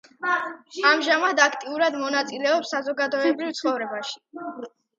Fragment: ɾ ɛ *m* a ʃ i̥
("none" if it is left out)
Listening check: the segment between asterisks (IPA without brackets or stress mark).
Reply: b